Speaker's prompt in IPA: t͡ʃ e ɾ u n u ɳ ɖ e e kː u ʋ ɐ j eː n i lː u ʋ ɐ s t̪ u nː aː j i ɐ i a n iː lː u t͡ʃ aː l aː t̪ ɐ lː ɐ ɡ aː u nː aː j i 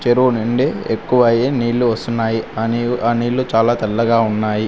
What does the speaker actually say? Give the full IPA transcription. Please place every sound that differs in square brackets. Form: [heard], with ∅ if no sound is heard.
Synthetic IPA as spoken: t͡ʃ e ɾ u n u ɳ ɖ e e kː u ʋ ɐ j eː n [iː] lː u ʋ ɐ s t̪ u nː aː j i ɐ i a n iː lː u t͡ʃ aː l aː t̪ ɐ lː ɐ ɡ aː u nː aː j i